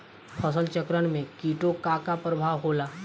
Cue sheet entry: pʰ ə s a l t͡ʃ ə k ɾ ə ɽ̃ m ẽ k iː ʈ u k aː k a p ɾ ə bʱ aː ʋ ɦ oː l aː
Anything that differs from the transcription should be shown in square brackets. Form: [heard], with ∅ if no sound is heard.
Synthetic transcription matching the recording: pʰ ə s [ə] l t͡ʃ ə k ɾ ə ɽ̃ m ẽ k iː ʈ [o] k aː k a p ɾ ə bʱ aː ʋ ɦ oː l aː

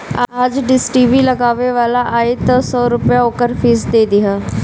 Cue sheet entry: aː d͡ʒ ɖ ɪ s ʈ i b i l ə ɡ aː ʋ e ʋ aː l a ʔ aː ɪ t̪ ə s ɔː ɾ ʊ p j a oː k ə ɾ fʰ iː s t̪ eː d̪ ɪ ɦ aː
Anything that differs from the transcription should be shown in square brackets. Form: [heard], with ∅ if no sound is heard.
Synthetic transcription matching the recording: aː d͡ʒ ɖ ɪ s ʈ i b i l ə ɡ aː ʋ e ʋ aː l a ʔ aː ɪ t̪ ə s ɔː ɾ ʊ p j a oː k ə ɾ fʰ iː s [d̪] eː d̪ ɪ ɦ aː

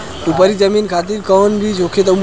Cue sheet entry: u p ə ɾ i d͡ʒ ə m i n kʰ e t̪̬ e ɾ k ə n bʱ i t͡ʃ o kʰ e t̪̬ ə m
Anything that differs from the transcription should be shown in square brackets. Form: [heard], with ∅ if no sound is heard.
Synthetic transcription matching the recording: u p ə ɾ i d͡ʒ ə m i n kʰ [a] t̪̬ [i] ɾ k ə n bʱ i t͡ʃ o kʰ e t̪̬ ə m

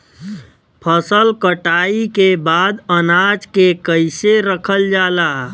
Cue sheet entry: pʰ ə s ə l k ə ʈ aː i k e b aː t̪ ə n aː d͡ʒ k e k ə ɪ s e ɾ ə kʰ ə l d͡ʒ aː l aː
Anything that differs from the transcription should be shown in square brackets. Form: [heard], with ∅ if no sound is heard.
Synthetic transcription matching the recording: pʰ ə s ə l k ə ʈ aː i k e b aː [d̪] ə n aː d͡ʒ k e k ə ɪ s e ɾ ə kʰ ə l d͡ʒ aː l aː

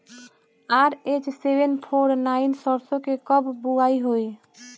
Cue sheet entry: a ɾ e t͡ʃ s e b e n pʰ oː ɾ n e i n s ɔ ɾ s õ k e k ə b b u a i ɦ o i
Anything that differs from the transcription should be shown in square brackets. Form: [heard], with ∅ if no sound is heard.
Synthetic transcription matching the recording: a ɾ e t͡ʃ s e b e n pʰ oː ɾ n [a] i n s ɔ ɾ s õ k e k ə b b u a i ɦ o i

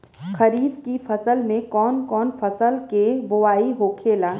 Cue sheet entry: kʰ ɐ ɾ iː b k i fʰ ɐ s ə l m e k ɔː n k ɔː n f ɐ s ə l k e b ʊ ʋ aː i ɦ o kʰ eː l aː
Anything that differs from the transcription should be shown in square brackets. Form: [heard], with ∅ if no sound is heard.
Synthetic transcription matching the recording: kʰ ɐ ɾ iː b k i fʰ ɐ s ə l m [ẽ] k ɔː n k ɔː n f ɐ s ə l k e b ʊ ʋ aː i ɦ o kʰ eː l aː

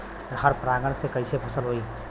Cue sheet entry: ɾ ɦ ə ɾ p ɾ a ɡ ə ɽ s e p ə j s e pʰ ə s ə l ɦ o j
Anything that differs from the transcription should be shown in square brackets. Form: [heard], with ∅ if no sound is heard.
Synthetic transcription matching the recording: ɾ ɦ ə ɾ p ɾ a ɡ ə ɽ s e [k] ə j s e pʰ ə s ə l ɦ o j

